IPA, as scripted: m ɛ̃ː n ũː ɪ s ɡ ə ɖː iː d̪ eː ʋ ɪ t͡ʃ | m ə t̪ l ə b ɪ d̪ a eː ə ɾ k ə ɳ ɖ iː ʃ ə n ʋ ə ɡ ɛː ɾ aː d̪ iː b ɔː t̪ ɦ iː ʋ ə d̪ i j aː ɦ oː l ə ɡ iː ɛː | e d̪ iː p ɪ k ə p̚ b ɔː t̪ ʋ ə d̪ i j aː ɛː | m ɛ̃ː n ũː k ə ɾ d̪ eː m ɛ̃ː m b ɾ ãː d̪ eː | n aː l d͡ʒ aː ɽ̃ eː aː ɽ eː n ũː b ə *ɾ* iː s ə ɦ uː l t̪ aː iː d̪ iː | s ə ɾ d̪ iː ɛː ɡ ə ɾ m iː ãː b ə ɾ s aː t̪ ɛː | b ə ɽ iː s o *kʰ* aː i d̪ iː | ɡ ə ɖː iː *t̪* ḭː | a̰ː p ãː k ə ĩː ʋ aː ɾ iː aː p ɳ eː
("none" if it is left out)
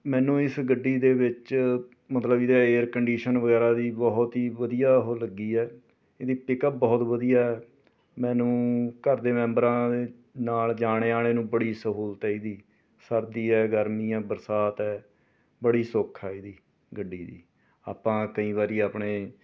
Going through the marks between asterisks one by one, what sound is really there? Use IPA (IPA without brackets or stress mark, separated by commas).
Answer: ɽ, kʰ, d̪